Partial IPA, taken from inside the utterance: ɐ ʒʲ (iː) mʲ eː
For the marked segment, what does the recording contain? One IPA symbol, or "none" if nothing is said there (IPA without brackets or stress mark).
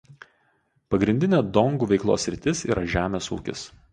æː